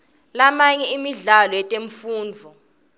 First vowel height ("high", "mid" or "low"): low